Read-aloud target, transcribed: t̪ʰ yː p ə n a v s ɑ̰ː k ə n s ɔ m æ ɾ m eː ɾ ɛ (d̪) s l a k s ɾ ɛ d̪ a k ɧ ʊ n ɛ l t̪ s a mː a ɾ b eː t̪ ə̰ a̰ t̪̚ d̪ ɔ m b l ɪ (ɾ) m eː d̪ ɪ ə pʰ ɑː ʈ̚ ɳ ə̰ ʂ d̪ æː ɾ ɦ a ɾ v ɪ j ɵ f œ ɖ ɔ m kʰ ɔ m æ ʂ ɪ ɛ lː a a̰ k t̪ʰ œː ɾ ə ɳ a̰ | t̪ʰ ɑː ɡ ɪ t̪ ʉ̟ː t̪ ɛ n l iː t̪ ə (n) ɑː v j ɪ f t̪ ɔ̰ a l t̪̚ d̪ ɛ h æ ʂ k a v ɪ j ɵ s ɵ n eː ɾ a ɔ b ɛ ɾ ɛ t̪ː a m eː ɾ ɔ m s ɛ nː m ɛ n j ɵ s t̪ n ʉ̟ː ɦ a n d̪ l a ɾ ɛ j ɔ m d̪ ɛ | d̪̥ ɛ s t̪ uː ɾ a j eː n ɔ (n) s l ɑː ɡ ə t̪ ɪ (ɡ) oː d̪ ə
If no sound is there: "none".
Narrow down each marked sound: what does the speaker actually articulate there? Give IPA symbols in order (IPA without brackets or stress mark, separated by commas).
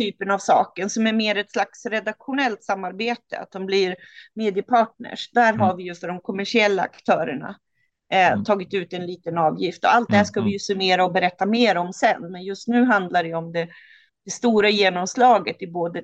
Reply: t̪, ɾ, n, m, b